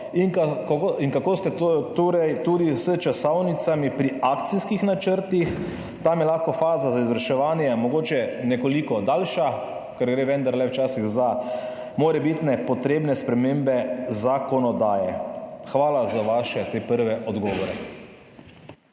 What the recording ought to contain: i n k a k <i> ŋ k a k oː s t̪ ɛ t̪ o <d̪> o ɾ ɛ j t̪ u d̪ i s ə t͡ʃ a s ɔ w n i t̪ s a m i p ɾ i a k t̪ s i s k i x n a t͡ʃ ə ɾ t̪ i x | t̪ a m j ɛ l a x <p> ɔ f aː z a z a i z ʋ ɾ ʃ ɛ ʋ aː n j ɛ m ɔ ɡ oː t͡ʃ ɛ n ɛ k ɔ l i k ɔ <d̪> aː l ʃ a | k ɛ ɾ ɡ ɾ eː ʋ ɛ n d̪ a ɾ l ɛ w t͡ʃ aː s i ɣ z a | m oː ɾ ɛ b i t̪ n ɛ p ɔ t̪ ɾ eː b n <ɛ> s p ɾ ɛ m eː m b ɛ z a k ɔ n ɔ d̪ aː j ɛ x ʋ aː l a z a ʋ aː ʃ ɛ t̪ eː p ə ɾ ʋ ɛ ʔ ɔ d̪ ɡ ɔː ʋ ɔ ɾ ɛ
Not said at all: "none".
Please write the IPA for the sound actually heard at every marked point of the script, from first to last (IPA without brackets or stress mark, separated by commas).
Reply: i, t̪, k, d̪, ɛ